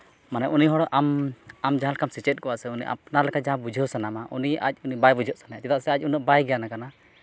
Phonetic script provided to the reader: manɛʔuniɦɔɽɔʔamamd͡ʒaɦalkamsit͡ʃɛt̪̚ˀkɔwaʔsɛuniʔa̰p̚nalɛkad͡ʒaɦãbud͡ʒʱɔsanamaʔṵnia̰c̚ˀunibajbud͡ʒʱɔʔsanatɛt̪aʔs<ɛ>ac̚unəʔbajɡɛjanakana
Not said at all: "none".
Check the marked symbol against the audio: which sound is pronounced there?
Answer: ɛ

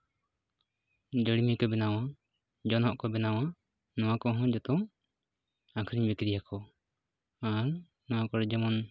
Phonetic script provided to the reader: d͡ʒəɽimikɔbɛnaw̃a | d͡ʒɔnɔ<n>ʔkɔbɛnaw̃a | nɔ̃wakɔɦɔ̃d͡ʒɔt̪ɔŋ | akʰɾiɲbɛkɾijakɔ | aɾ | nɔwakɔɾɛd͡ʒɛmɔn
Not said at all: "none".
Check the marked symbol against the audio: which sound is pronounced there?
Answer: none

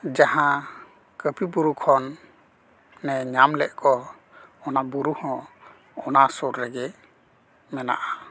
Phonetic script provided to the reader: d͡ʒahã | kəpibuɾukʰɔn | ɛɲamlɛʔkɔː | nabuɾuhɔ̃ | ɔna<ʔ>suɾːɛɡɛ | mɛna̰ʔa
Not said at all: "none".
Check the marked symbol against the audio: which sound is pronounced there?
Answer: none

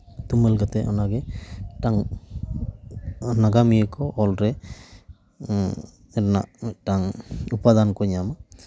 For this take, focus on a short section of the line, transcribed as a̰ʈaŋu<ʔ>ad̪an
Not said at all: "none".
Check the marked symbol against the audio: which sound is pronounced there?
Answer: p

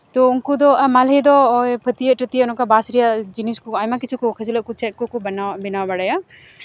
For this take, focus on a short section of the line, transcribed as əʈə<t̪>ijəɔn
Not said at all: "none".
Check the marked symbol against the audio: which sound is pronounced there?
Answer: t̪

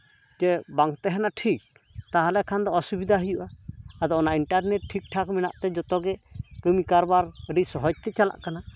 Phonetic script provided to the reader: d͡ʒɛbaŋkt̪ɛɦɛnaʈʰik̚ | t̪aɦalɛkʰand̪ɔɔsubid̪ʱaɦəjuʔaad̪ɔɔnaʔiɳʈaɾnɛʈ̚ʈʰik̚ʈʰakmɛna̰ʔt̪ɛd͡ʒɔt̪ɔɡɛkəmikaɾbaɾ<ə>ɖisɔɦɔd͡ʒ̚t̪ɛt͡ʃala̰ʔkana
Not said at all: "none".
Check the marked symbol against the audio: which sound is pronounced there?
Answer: ə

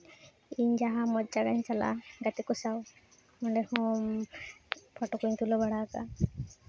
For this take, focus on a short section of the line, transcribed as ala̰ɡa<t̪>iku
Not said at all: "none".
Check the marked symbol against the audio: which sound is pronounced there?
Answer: t̪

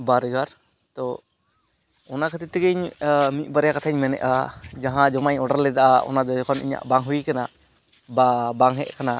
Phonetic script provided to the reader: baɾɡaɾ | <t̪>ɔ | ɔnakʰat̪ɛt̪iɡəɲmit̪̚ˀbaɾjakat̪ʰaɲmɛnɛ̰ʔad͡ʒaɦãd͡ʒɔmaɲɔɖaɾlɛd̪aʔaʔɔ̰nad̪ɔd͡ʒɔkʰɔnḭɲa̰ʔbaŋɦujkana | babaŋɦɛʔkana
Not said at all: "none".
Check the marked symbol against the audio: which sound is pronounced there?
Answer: t̪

